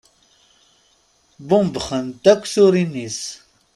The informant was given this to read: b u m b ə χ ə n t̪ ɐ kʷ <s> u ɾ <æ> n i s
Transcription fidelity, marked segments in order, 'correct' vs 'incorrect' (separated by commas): correct, incorrect